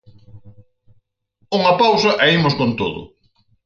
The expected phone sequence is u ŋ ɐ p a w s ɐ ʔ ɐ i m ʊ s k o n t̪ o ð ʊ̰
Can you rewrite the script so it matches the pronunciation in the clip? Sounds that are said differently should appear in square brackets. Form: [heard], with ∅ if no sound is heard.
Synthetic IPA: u ŋ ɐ p a w s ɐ ʔ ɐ i m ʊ s k o n t̪ o ð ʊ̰